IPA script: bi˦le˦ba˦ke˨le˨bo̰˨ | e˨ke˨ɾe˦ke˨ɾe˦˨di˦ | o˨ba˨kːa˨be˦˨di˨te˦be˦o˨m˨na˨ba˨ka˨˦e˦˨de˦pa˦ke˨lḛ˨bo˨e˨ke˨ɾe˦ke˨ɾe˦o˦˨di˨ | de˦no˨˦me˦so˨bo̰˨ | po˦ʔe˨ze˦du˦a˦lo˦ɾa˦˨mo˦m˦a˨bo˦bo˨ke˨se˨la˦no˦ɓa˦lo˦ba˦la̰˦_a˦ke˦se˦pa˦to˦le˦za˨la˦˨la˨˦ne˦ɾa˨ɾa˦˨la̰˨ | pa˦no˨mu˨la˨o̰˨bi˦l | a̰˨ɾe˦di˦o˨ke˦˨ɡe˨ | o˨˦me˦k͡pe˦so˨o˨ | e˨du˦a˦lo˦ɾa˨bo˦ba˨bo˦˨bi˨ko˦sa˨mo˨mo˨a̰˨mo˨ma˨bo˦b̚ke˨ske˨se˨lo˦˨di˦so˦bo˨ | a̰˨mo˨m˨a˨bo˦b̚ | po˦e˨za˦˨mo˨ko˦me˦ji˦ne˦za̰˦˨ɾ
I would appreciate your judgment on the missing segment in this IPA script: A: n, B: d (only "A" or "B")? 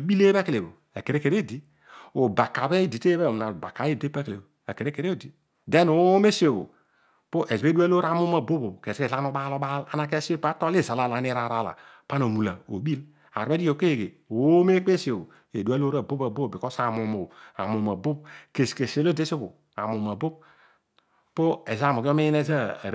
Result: A